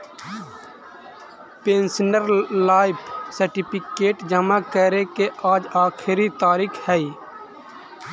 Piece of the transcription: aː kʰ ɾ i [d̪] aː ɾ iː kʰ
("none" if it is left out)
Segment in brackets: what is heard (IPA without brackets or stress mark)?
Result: t̪